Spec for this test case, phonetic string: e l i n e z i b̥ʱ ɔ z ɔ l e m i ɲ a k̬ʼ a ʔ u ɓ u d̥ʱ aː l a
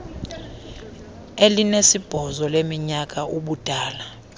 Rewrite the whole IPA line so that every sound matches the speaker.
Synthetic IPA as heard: e l i n e s i b̥ʱ ɔ z ɔ l e m i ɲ a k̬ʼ a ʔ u ɓ u d̥ʱ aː l a